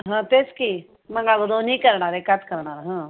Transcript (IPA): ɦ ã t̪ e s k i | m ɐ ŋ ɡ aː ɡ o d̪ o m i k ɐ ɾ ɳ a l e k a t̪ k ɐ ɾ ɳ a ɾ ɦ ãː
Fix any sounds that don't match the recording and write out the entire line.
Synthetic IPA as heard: ɦ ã t̪ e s k i | m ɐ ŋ ɡ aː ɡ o d̪ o n i k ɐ ɾ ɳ a ɾ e k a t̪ k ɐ ɾ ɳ a ɾ ɦ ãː